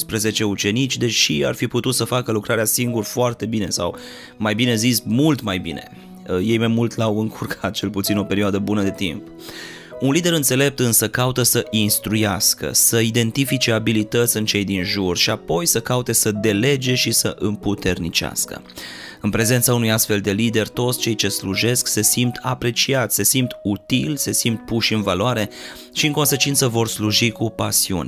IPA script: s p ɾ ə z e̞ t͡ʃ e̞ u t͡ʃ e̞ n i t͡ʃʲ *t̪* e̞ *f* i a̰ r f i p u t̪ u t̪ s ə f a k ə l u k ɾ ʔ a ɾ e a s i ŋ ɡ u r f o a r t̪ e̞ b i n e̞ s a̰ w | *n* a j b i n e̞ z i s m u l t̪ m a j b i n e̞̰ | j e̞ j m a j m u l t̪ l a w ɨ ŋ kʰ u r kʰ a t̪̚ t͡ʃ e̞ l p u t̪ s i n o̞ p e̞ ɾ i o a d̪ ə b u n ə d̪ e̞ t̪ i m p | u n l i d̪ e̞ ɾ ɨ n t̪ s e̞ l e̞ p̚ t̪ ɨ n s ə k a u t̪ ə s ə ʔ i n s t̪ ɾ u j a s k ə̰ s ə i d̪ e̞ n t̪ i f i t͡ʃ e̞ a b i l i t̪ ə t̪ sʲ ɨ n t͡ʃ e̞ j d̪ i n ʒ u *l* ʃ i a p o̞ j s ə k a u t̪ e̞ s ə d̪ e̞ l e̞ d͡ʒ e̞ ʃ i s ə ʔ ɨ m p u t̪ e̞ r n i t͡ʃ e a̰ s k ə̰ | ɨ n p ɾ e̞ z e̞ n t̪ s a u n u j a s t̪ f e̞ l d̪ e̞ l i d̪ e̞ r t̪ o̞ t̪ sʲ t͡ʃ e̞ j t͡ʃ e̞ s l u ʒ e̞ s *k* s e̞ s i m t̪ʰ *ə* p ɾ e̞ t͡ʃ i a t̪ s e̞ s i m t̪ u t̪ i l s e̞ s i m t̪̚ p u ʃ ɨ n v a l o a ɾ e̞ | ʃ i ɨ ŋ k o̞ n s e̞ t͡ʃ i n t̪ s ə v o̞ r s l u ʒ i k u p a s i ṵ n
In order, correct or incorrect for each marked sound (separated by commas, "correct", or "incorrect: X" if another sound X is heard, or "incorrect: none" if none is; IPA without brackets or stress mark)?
incorrect: d̪, incorrect: ʃ, incorrect: m, incorrect: r, correct, incorrect: a